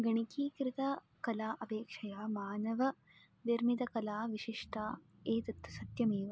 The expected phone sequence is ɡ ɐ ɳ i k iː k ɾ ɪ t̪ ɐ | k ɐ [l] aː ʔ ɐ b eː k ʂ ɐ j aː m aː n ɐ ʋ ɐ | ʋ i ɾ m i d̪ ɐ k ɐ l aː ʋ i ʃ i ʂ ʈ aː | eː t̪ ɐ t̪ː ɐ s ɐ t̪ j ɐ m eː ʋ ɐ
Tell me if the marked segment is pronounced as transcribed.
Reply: yes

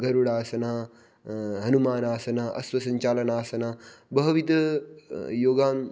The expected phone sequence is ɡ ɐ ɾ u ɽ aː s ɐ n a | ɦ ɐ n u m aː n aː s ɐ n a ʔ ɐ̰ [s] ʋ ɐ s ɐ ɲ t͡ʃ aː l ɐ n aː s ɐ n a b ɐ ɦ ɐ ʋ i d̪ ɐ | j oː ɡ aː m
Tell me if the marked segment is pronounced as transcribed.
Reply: yes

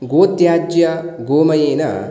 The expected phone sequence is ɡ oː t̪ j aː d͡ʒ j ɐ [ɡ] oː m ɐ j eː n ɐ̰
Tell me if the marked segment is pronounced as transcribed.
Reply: yes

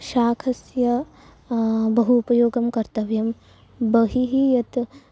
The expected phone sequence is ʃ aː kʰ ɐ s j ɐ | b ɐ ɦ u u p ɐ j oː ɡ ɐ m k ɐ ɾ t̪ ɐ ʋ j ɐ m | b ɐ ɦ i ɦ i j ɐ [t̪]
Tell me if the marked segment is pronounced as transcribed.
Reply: yes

